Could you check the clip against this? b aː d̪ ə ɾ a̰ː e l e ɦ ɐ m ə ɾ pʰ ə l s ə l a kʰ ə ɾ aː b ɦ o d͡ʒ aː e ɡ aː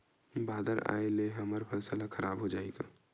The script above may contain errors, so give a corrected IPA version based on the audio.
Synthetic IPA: b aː d̪ ə ɾ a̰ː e l e ɦ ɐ m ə ɾ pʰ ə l s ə l a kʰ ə ɾ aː b ɦ o d͡ʒ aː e ɡ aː